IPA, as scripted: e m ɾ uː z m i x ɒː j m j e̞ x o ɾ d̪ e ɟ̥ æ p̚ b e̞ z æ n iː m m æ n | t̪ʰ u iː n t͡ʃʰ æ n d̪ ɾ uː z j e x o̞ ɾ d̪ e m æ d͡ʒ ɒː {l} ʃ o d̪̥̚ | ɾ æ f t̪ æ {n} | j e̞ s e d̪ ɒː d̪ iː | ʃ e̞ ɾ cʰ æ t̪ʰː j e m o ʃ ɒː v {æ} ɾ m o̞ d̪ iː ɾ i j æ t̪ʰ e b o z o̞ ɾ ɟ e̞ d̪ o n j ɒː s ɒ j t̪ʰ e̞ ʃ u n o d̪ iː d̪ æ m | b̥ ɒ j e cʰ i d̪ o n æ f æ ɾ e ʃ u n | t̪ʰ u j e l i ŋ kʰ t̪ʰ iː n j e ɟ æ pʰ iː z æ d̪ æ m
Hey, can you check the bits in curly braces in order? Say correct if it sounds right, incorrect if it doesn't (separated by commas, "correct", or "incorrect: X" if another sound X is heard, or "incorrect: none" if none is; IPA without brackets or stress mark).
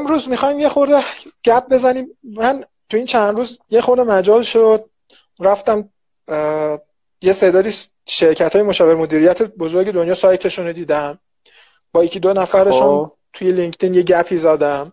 correct, incorrect: m, incorrect: e